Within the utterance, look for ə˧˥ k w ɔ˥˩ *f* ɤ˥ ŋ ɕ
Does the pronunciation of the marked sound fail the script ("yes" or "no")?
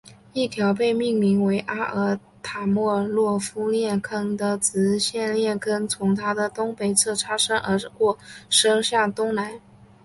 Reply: yes